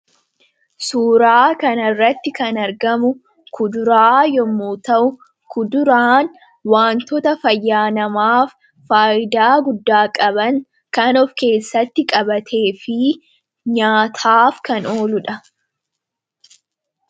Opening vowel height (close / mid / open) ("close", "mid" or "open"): close